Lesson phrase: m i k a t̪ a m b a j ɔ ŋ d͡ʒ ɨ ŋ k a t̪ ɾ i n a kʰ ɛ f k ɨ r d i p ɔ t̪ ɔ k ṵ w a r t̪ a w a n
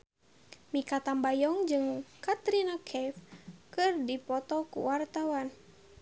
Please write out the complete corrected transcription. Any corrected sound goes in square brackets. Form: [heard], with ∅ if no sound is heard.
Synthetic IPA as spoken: m i k a t̪ a m b a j ɔ ŋ d͡ʒ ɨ ŋ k a t̪ ɾ i n a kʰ ɛ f k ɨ r d i p ɔ t̪ ɔ k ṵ w a r t̪ a w a n